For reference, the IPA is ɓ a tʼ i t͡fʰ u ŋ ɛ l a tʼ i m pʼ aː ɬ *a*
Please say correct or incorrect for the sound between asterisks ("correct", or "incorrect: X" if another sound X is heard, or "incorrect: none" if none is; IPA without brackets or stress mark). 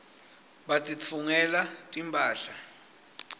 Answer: correct